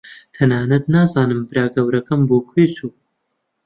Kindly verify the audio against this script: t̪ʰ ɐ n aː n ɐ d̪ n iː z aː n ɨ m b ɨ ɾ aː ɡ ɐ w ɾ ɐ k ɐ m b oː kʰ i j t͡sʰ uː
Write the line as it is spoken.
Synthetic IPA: t̪ʰ ɐ n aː n ɐ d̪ n aː z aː n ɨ m b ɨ ɾ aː ɡ ɐ w ɾ ɐ k ɐ m b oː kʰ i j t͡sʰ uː